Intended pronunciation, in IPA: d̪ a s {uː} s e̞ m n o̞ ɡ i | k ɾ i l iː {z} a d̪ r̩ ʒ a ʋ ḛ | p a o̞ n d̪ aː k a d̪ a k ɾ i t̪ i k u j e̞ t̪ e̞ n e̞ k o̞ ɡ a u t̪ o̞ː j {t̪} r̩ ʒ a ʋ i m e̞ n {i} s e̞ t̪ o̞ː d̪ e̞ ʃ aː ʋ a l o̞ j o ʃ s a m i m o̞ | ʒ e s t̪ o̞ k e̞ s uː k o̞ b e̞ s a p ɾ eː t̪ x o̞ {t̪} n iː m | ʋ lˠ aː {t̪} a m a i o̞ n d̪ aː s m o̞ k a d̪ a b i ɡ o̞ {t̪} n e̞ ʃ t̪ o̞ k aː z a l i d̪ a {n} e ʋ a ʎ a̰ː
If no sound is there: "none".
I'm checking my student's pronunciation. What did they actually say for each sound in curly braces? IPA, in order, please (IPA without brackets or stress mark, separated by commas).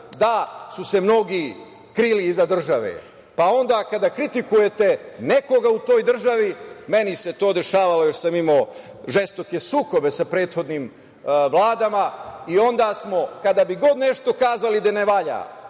u, z, d̪, i, d̪, d̪, d̪, n